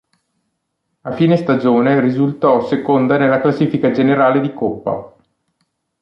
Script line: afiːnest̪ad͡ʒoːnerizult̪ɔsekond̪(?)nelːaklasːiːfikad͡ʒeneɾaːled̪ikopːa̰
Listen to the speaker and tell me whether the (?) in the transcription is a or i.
a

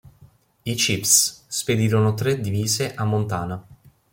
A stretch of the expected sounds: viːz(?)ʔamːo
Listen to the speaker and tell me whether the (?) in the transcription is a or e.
e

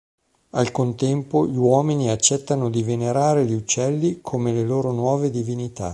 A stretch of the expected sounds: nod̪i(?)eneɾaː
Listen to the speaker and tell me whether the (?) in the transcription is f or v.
v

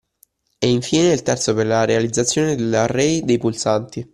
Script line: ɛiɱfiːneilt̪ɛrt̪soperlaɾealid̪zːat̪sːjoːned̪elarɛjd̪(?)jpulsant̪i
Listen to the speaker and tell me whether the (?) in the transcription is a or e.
e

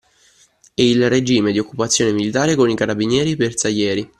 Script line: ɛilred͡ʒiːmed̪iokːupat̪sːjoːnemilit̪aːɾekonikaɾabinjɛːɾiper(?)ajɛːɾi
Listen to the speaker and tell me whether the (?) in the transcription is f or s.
s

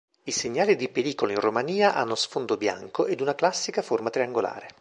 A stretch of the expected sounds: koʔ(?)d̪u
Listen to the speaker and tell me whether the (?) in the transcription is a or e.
e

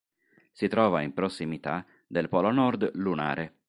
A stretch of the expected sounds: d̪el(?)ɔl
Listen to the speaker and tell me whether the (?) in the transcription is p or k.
p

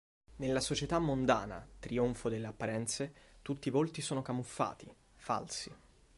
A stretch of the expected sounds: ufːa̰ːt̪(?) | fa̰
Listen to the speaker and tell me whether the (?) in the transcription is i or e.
i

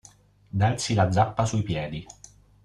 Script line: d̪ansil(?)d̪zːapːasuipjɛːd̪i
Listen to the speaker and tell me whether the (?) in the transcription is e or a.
a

